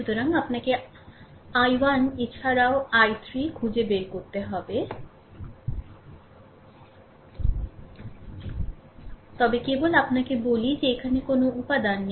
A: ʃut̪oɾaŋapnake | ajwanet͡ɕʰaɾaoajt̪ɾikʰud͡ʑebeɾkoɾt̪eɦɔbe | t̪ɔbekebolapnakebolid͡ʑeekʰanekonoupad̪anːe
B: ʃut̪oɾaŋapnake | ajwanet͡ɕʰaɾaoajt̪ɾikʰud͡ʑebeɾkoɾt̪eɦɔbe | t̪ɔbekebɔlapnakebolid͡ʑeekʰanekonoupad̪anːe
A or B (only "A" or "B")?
A